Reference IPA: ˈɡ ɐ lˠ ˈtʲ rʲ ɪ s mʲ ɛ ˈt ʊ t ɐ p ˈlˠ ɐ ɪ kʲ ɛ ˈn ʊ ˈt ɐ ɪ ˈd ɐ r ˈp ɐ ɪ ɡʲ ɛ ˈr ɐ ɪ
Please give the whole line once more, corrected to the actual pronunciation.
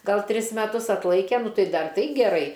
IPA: ˈɡ ɐ lˠ ˈtʲ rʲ ɪ s mʲ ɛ ˈt ʊ s ɐ t ˈlˠ ɐ ɪ kʲ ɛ ˈn ʊ ˈt ɐ ɪ ˈd ɐ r ˈt ɐ ɪ ɡʲ ɛ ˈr ɐ ɪ